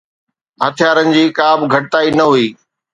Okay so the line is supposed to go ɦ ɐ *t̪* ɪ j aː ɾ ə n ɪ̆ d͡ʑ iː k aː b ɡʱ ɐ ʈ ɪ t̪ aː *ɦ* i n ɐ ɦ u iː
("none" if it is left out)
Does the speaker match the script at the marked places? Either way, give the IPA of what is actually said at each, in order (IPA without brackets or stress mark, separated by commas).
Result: t̪ʰ, none